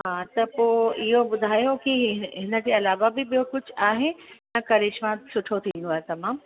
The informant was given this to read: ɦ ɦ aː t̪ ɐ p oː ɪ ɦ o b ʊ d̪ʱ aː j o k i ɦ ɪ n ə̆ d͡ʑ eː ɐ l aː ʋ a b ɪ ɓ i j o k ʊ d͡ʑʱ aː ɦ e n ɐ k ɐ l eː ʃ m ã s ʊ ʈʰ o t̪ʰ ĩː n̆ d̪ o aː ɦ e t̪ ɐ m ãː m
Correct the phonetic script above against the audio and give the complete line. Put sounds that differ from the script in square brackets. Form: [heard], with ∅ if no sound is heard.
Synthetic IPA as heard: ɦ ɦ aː t̪ ɐ p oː ɪ ɦ o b ʊ d̪ʱ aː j o k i ɦ ɪ n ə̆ d͡ʑ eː ɐ l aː ʋ a b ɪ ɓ i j o k ʊ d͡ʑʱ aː ɦ e n ɐ k ɐ [ɾ] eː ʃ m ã s ʊ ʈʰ o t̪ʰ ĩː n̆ d̪ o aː ɦ e t̪ ɐ m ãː m